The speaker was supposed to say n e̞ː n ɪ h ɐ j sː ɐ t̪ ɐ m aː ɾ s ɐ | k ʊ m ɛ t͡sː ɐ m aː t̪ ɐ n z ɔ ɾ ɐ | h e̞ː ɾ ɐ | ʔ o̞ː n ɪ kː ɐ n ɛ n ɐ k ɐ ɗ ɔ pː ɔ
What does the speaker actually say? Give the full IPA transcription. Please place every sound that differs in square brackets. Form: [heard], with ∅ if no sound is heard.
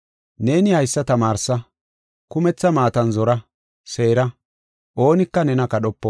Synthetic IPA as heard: n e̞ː n ɪ h ɐ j sː ɐ t̪ ɐ m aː ɾ s ɐ | k ʊ m ɛ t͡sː ɐ m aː t̪ ɐ n z ɔ ɾ ɐ | [s] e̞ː ɾ ɐ | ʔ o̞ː n ɪ kː ɐ n ɛ n ɐ k ɐ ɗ ɔ pː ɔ